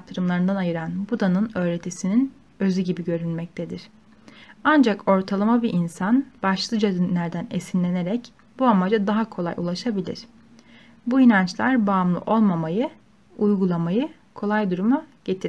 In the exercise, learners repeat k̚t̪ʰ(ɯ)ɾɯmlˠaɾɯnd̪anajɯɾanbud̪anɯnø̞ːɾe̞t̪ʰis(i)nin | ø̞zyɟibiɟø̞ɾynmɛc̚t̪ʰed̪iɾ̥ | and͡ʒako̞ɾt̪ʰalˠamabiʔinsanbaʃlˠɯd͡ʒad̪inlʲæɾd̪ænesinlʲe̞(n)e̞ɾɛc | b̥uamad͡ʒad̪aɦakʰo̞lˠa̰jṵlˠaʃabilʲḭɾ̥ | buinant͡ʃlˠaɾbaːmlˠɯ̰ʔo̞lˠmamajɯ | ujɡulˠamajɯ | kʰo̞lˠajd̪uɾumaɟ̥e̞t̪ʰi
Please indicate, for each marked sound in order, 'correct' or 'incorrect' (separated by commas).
correct, correct, correct